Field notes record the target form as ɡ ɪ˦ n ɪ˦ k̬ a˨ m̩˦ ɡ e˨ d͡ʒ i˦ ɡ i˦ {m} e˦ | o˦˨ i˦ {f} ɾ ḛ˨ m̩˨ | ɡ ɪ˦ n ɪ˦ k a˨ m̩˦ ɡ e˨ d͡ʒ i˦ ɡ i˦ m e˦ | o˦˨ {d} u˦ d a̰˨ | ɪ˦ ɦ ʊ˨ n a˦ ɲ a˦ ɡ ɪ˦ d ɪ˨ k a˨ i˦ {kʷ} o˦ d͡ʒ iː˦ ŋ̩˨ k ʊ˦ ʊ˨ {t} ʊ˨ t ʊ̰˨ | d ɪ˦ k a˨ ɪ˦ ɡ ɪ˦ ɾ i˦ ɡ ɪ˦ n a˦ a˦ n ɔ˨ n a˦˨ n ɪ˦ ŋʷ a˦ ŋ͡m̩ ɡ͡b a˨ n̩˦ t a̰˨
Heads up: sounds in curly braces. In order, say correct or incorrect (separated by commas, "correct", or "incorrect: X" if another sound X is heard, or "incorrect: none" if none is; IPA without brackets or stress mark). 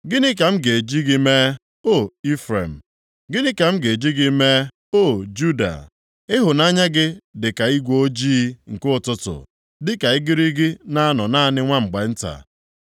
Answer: correct, correct, incorrect: d͡ʒ, incorrect: ɡʷ, correct